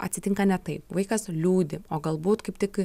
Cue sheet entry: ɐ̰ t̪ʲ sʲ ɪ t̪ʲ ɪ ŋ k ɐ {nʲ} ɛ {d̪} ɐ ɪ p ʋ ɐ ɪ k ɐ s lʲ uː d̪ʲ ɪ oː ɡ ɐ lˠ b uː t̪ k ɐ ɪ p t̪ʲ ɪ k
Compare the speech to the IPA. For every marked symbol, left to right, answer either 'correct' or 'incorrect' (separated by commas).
correct, incorrect